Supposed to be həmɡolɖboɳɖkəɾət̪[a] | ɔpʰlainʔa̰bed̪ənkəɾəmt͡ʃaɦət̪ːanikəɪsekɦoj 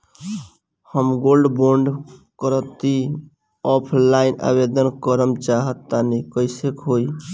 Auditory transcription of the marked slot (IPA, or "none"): i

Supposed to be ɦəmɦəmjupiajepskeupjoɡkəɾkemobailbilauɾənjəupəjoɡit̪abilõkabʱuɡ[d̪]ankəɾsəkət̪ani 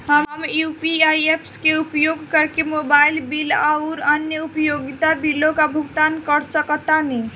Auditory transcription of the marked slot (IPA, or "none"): t̪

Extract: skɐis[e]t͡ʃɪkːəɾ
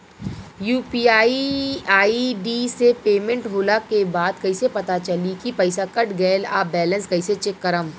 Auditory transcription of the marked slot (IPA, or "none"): e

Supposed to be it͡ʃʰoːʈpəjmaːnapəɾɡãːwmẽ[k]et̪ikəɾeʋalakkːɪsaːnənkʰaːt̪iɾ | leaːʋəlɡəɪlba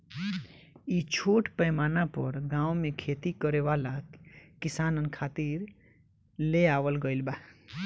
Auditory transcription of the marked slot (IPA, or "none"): kʰ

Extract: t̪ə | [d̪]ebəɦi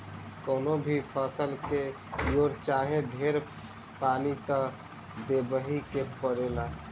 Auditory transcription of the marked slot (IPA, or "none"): d̪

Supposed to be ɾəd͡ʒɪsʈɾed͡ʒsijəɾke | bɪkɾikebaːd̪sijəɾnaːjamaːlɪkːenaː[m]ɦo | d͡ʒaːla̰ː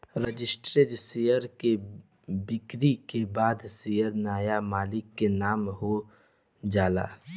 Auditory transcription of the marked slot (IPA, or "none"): m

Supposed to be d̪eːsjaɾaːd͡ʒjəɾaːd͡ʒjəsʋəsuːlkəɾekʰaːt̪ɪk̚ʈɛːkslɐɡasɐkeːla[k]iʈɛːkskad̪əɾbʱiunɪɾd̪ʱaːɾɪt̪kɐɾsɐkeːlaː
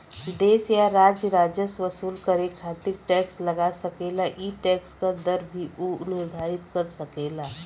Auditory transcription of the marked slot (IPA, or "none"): ʔ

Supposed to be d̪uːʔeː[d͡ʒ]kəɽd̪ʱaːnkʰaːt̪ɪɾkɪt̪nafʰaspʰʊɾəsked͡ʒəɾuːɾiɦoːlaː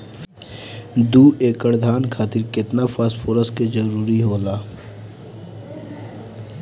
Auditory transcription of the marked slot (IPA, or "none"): none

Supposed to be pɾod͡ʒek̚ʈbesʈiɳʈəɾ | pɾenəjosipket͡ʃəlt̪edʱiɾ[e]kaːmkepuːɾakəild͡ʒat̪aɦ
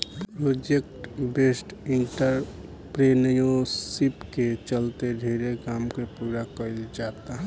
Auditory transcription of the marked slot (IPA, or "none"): e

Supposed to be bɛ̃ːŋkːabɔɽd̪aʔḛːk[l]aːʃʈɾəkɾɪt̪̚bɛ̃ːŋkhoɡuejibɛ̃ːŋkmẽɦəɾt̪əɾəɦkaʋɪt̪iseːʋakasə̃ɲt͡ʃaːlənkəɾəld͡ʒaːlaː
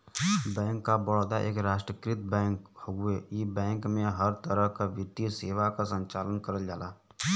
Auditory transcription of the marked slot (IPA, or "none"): ɾ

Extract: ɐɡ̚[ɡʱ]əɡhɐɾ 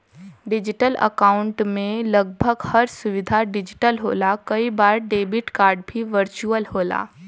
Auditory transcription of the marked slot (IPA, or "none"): bʱ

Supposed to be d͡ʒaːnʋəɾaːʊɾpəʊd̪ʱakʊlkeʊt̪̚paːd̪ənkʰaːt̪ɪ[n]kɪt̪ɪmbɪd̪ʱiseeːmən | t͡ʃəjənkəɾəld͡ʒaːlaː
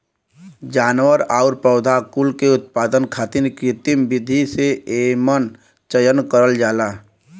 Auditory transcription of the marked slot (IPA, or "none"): n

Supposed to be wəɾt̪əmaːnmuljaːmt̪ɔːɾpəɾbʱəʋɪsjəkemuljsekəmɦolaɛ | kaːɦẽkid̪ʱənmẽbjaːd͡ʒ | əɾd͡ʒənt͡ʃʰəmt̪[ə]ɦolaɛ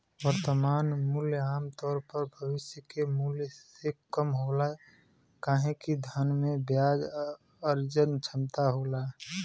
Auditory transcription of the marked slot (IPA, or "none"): a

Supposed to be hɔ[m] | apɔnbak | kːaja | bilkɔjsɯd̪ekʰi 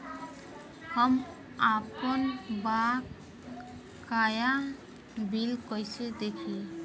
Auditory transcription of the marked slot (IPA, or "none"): m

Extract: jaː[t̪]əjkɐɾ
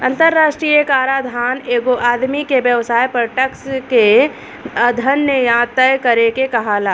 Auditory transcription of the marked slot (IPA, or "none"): t̪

